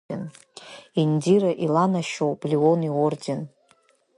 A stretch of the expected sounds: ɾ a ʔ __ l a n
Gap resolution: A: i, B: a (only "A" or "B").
A